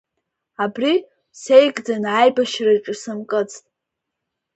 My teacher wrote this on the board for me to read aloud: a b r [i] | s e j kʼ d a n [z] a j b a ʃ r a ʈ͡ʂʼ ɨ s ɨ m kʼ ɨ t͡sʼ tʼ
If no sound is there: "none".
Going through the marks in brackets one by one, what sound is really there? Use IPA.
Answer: i, ʕ

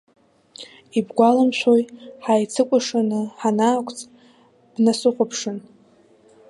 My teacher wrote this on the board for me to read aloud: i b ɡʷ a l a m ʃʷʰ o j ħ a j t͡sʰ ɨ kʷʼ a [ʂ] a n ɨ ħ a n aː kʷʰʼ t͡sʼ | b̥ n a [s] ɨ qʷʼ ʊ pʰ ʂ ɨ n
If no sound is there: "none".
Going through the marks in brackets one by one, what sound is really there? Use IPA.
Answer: ʂ, s

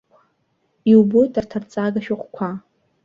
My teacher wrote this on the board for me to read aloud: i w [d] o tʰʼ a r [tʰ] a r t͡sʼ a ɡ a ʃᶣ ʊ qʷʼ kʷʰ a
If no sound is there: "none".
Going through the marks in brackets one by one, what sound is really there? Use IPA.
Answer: b, tʰ

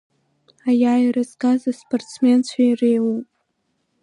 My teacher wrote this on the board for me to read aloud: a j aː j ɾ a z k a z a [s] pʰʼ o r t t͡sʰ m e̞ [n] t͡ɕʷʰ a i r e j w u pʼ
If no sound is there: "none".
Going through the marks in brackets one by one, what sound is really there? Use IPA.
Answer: s, n

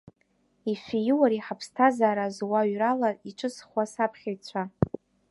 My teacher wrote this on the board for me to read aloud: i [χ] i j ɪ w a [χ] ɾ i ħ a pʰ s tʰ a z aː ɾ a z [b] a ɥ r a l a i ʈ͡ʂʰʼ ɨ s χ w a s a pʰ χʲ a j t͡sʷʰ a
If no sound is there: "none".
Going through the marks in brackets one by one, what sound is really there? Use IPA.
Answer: f, none, w

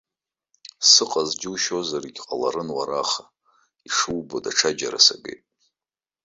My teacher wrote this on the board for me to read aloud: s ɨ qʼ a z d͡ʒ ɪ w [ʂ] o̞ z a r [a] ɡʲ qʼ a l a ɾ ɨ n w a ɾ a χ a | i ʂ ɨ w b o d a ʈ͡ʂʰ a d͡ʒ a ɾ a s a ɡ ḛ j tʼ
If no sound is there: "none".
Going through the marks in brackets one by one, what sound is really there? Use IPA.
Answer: ʃ, i

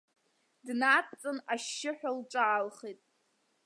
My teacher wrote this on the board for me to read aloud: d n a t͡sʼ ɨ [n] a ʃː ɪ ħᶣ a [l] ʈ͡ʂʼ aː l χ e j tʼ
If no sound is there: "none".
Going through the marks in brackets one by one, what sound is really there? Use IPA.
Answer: n, l

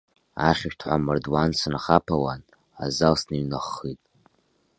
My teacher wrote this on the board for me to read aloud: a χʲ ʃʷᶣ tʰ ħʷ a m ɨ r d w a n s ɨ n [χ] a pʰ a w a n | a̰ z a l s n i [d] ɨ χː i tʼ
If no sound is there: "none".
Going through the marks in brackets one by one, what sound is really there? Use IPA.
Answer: χ, n

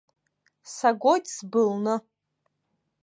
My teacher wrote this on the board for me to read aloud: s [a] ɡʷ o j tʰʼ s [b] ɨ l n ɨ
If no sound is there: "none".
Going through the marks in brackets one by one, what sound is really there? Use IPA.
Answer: a, b

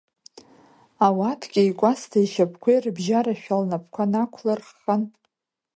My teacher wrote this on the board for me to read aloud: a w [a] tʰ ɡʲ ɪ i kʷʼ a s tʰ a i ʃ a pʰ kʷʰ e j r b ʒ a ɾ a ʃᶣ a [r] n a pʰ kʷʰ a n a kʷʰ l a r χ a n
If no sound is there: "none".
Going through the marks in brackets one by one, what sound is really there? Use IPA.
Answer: a, l

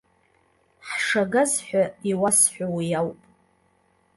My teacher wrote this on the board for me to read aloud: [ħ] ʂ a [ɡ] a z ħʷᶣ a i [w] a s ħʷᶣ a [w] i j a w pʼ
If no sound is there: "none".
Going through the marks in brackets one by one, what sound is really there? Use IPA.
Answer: ħ, ɡ, w, w

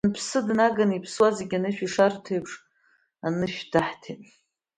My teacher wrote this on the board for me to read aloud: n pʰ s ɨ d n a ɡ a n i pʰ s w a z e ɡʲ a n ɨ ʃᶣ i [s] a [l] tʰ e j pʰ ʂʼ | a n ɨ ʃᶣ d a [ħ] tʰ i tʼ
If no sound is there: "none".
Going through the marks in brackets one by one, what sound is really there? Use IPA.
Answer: ʂ, r, ħ

